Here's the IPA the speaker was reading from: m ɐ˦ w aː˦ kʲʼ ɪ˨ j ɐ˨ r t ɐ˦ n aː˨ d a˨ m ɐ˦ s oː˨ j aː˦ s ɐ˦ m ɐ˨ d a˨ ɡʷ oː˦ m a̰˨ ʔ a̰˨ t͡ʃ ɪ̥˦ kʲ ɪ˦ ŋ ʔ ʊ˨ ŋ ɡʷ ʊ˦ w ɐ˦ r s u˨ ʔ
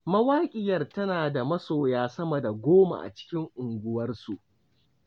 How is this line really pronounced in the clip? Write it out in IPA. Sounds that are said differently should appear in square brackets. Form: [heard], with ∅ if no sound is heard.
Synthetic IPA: m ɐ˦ w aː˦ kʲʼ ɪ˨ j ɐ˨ r t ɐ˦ n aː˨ d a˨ m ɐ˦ s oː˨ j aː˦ s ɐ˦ m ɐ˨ d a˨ ɡʷ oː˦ m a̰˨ ʔ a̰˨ t͡ʃ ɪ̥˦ kʲ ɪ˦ ŋ ʔ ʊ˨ ŋ ɡʷ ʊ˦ w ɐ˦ r s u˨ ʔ

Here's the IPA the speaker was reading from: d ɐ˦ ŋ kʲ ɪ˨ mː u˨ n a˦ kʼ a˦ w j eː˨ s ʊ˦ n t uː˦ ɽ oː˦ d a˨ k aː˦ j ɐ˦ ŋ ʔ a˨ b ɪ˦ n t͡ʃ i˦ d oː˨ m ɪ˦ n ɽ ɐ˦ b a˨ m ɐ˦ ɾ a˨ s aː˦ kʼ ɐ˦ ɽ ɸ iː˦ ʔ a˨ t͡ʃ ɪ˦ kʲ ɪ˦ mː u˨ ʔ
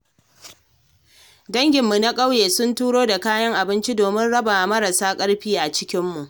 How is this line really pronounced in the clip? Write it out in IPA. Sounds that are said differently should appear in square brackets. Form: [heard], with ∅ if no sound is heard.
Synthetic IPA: d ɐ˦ ŋ [ɡʲ] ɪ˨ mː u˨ n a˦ kʼ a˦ w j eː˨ s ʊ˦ n t uː˦ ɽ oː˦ d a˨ k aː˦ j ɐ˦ ŋ ʔ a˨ b ɪ˦ n t͡ʃ i˦ d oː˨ m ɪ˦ n ɽ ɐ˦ b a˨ m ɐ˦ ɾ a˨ s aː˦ kʼ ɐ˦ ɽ ɸ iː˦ ʔ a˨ t͡ʃ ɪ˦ kʲ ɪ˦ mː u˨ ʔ

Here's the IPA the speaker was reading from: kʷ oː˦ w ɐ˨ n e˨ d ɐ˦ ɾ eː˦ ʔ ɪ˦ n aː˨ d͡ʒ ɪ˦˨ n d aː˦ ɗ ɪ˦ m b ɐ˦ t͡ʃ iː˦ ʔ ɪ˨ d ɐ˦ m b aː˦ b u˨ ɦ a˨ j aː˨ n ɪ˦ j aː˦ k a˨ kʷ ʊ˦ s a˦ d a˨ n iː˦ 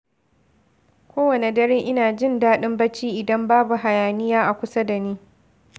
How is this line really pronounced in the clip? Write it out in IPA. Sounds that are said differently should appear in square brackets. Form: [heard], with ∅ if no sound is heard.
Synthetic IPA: kʷ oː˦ w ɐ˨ n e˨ d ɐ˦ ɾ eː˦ ʔ ɪ˦ n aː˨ d͡ʒ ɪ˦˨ n d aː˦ ɗ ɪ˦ m b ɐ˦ t͡ʃ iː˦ ʔ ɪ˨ d ɐ˦ m b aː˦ b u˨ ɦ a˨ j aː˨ n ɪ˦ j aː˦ [ʔ] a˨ kʷ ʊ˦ s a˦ d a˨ n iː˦

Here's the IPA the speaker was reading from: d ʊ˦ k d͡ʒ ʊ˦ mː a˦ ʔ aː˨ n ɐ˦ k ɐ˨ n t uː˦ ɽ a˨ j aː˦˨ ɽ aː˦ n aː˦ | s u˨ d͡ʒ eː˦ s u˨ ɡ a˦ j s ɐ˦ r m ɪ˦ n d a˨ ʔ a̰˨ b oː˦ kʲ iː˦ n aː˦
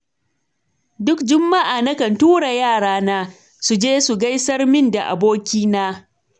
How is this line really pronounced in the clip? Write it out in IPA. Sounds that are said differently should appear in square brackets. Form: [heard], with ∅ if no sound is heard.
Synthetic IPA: d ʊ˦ k d͡ʒ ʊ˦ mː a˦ ʔ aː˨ n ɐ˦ k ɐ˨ n t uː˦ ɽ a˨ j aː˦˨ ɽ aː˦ n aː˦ | s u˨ d͡ʒ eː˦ s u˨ ɡ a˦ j s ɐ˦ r m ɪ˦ n d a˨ ʔ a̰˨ b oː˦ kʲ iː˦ n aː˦

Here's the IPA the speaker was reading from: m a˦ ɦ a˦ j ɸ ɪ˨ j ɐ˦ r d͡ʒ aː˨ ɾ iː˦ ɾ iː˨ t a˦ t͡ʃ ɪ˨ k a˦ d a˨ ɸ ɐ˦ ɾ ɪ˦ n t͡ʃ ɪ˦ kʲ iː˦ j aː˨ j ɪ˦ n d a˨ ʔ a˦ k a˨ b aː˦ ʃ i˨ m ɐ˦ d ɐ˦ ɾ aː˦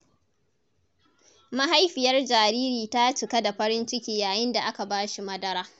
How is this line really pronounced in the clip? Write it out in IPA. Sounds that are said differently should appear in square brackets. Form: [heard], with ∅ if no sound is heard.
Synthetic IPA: m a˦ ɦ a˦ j ɸ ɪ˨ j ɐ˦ r d͡ʒ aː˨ ɾ iː˦ ɾ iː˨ t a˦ t͡ʃ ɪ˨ k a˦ d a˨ ɸ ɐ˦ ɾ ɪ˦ n t͡ʃ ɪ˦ kʲ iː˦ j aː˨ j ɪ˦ n d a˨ ʔ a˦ k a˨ b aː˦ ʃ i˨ m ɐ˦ d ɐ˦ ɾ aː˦

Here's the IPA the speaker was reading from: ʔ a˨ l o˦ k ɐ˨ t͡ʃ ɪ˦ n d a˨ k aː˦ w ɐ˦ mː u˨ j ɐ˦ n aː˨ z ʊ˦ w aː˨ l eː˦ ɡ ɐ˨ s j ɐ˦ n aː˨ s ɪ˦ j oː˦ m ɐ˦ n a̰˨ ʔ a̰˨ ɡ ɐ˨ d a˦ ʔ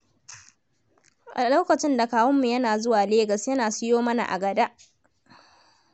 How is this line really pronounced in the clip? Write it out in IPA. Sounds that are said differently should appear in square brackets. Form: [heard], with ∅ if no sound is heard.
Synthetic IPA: ʔ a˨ l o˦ k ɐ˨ t͡ʃ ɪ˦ n d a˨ k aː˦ w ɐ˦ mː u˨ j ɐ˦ n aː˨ z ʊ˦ w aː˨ l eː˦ ɡ ɐ˨ s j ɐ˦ n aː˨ s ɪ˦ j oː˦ m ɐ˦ n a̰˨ ʔ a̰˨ ɡ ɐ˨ d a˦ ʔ

